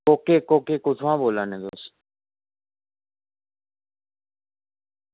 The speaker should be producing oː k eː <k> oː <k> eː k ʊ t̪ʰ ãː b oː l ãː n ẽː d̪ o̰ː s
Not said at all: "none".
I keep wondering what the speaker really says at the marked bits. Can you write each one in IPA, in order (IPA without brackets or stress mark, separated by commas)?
k, k